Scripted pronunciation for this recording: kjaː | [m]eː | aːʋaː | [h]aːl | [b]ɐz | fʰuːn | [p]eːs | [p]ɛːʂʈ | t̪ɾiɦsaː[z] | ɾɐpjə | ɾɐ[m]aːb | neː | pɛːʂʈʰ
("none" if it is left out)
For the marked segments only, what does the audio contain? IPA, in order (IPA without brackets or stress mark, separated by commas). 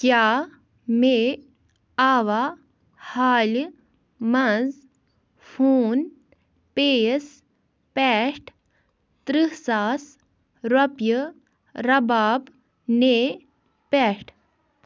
m, h, m, p, p, s, b